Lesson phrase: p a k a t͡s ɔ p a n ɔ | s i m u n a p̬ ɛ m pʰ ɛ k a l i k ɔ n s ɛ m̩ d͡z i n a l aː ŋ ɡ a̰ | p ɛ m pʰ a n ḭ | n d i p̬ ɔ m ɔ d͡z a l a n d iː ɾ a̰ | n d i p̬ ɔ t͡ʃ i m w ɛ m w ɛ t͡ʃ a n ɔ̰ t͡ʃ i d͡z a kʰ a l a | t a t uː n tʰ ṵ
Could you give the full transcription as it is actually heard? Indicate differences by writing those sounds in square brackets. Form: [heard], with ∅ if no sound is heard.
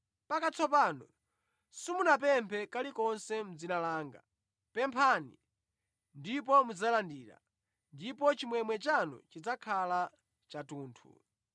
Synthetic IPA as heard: p a k a t͡s ɔ p a n ɔ | s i m u n a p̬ ɛ m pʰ ɛ k a l i k ɔ n s ɛ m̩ d͡z i n a l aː ŋ ɡ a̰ | p ɛ m pʰ a n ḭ | n d i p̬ ɔ m [u] d͡z a l a n d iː ɾ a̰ | n d i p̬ ɔ t͡ʃ i m w ɛ m w ɛ t͡ʃ a n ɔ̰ t͡ʃ i d͡z a kʰ a l a | [t͡ʃ] a t uː n tʰ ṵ